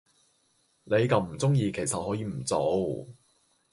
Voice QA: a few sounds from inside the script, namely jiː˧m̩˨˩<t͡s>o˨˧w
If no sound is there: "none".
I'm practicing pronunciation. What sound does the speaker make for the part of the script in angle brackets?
t͡s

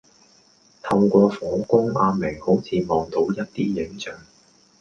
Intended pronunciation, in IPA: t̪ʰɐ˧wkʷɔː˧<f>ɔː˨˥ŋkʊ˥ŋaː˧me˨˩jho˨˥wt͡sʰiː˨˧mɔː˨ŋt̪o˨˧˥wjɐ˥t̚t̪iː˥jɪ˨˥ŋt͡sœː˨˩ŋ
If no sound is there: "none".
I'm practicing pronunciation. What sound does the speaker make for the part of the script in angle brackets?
f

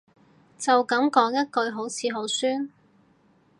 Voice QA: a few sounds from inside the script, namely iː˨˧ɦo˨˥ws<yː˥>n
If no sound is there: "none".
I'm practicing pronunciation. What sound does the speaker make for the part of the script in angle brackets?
yː˥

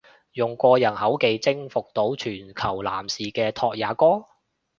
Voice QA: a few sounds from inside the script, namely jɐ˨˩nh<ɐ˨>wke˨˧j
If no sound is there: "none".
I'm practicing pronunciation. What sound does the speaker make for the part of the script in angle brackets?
ɐ˨˥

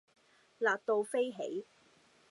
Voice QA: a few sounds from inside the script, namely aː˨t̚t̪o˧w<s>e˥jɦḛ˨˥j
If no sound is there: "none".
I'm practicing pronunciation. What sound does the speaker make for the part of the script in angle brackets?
f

